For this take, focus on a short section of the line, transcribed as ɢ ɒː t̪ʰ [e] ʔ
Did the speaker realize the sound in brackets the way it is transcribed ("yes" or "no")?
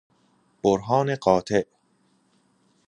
yes